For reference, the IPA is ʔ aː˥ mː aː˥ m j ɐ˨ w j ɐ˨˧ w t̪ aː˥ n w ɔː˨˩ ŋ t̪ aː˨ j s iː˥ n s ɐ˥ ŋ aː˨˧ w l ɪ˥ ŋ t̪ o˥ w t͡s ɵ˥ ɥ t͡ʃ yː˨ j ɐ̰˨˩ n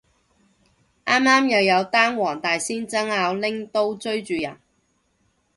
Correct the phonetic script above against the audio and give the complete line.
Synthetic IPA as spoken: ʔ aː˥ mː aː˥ m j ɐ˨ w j ɐ˨˧ w t̪ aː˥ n w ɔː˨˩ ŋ t̪ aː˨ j s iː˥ n t͡s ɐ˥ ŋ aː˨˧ w l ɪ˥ ŋ t̪ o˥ w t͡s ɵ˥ ɥ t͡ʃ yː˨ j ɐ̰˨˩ n

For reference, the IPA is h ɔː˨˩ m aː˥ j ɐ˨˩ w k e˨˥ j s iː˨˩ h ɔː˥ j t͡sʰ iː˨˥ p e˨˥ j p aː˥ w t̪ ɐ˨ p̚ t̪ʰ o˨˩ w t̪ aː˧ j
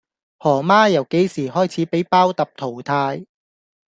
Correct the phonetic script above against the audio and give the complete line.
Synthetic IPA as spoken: h ɔː˨˩ m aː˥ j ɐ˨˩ w k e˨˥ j s iː˨˩ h ɔː˥ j t͡sʰ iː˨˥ p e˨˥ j p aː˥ w t̪ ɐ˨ p̚ t̪ʰ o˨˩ w t̪ʰ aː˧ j

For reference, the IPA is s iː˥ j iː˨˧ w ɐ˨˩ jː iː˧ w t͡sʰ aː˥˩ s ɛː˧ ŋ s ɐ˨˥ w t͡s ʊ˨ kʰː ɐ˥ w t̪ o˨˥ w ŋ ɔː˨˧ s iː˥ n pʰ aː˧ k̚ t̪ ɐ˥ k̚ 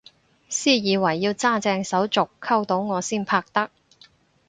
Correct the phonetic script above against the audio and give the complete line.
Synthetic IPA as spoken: s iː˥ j iː˨˧ w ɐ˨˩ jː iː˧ w t͡s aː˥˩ t͡s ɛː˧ ŋ s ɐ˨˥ w t͡s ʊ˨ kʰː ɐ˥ w t̪ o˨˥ w ŋ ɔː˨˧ s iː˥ n pʰ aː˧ k̚ t̪ ɐ˥ k̚

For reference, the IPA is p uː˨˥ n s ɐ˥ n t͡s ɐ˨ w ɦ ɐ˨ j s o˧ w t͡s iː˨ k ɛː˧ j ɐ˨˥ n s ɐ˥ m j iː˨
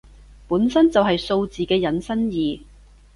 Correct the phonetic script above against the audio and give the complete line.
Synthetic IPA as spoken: p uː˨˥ n s ɐ˥ n t͡s ɐ˨ w ɦ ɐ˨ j s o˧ w t͡s iː˨ k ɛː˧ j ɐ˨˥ n s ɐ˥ n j iː˨

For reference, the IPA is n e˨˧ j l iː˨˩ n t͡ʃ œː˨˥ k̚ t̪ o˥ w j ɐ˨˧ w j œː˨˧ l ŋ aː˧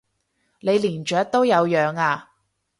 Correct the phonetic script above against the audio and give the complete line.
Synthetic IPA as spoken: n e˨˧ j l iː˨˩ n t͡ʃ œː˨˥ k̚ t̪ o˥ w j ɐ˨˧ w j œː˨˧ ŋ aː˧

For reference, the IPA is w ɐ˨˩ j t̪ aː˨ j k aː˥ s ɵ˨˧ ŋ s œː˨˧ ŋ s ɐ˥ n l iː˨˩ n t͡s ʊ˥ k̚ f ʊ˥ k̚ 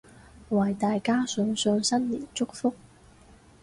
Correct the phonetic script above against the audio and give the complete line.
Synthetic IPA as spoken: w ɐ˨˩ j t̪ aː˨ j k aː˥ s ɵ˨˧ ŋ s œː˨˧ ŋ s ɐ˥ n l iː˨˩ n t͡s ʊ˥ k̚ f ʊ˥ k̚

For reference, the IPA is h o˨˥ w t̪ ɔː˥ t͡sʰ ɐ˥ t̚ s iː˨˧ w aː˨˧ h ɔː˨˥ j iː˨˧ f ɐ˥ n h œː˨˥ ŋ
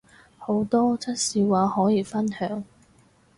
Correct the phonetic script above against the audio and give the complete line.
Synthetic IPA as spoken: h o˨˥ w t̪ ɔː˥ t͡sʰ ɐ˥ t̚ s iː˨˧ w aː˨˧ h ɔː˨˥ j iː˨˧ f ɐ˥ n h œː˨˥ ŋ

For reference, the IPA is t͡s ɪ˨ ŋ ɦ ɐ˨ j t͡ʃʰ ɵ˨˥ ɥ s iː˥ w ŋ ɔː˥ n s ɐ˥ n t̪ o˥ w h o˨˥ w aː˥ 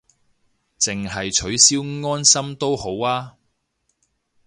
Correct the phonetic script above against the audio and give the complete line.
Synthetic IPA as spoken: t͡s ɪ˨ ŋ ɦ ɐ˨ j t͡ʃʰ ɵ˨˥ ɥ s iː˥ w ŋ ɔː˥ n s ɐ˥ m t̪ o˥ w h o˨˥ w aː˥

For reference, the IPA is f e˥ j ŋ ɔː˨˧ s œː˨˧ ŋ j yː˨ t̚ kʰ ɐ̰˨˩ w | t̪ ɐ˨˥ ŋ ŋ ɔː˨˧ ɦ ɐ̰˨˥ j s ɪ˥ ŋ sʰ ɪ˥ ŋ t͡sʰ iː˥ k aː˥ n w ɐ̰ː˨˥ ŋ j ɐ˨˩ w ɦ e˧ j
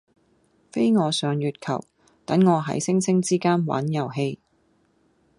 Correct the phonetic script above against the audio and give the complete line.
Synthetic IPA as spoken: f e˥ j ŋ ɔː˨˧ s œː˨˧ ŋ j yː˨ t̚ kʰ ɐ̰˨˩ w | t̪ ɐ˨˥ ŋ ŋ ɔː˨˧ ɦ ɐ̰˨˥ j s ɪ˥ ŋ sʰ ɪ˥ ŋ t͡s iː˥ k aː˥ n w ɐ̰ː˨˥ n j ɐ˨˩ w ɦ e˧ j

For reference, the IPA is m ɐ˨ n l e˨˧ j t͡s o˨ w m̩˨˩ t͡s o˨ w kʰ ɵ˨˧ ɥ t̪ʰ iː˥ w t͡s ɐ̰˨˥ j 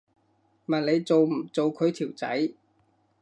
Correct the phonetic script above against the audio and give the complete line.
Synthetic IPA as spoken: m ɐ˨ n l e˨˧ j t͡s o˨ w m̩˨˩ t͡s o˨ w kʰ ɵ˨˧ ɥ t̪ʰ iː˨˩ w t͡s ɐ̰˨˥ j

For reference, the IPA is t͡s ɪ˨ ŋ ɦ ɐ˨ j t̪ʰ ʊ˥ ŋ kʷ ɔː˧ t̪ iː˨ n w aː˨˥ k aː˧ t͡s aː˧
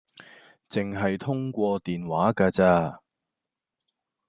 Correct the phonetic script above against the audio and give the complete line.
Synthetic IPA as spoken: t͡s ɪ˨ ŋ ɦ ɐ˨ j t̪ʰ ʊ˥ ŋ kʷ ɔː˧ t̪ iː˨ n w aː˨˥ k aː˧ t͡s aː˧

